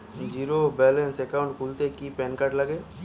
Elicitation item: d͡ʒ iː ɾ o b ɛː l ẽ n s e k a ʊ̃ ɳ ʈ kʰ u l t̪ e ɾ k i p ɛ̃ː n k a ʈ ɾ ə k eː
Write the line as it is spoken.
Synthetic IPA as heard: d͡ʒ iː ɾ o b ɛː l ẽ n s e k a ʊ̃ ɳ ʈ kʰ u l t̪ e k i p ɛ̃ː n k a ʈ l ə ɡ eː